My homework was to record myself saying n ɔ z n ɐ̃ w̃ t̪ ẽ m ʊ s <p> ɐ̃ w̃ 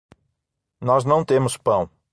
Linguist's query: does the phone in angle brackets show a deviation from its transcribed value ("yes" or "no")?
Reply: no